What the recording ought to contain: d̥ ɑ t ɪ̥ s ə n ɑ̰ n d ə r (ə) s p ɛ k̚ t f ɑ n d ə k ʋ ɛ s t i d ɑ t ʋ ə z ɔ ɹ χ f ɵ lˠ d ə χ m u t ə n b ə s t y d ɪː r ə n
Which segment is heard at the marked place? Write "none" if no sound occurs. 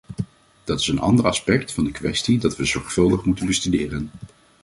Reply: ɑ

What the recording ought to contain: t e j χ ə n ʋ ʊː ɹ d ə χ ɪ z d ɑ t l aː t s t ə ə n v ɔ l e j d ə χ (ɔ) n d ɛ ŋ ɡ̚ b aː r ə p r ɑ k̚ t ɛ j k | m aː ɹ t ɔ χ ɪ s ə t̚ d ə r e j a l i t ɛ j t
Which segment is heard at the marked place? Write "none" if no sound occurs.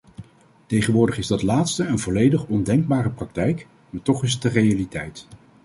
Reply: ɔ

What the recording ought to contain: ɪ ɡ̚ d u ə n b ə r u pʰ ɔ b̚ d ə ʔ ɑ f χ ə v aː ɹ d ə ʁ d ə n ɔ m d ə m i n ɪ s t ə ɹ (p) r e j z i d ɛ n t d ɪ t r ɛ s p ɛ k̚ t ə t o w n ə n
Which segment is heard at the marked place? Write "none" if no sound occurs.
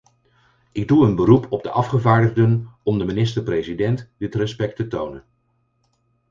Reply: p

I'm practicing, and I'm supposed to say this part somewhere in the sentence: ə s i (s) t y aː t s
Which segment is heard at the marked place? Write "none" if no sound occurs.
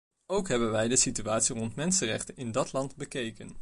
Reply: none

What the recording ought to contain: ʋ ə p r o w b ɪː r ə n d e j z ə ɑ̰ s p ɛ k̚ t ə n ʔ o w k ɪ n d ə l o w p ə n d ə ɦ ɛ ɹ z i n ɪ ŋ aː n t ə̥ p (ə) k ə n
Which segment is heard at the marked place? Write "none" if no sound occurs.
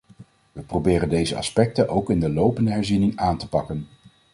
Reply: ɑ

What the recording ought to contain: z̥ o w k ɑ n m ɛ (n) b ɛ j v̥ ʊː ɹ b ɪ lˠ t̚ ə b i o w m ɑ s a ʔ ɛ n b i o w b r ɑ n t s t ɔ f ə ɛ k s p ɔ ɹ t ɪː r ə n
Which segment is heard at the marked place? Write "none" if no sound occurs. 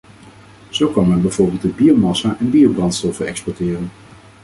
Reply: n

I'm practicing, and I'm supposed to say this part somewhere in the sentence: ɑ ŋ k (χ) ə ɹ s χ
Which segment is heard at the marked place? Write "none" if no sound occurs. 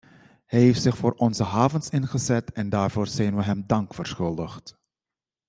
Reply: f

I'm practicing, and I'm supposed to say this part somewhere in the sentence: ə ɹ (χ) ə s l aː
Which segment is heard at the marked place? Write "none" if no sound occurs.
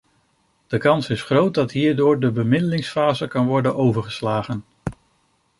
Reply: χ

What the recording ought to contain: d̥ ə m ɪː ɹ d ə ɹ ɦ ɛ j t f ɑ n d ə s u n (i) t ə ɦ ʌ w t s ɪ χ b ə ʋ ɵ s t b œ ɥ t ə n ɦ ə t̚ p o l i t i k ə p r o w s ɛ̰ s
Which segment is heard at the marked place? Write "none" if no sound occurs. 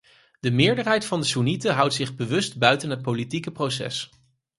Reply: i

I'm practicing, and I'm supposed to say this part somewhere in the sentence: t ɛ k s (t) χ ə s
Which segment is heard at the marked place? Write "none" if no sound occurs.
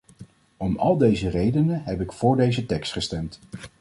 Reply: t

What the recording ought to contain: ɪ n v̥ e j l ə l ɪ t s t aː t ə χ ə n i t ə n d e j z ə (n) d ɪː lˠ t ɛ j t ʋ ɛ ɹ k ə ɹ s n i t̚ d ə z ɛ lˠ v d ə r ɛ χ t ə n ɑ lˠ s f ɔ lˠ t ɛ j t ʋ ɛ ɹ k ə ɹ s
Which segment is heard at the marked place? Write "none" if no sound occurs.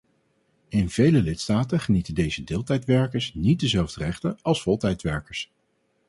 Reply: none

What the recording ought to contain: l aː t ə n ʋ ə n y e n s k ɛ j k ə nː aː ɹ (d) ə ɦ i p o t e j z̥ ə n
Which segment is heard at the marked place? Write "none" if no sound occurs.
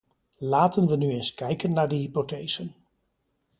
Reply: d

